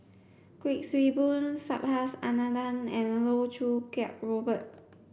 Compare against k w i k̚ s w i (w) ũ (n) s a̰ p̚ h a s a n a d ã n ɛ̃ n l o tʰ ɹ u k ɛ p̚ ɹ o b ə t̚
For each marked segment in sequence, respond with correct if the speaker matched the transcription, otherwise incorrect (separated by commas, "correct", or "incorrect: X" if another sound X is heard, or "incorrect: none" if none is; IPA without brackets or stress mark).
incorrect: b, correct